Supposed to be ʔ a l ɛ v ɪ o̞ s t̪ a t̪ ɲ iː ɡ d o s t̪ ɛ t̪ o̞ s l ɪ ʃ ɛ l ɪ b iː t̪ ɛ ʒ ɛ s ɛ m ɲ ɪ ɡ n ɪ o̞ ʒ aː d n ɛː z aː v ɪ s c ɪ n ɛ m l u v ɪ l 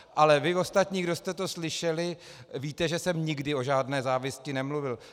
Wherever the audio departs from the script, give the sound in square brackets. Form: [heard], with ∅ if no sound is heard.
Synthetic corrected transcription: ʔ a l ɛ v ɪ o̞ s t̪ a t̪ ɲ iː ɡ d o s t̪ ɛ t̪ o̞ s l ɪ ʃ ɛ l ɪ [v] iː t̪ ɛ ʒ ɛ s ɛ m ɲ ɪ ɡ [d] ɪ o̞ ʒ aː d n ɛː z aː v ɪ s c ɪ n ɛ m l u v ɪ l